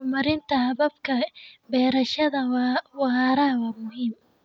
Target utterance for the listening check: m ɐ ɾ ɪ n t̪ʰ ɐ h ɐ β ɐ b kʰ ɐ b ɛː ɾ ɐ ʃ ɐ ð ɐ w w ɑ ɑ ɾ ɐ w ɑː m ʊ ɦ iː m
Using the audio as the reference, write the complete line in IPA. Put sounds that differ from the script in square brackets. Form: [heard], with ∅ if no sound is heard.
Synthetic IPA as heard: m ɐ ɾ ɪ n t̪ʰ ɐ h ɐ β ɐ b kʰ ɐ b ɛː ɾ ɐ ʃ ɐ ð ɐ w w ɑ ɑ ɾ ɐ w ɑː m ʊ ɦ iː m